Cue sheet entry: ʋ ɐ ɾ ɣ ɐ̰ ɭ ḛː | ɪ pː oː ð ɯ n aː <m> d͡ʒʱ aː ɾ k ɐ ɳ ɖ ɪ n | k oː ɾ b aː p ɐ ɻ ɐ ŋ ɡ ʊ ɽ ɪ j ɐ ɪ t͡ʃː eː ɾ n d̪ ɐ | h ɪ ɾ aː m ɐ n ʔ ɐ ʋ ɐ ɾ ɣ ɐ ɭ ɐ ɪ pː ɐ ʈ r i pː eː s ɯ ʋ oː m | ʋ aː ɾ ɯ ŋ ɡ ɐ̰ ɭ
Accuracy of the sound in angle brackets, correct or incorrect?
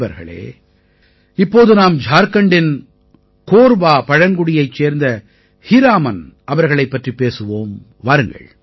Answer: correct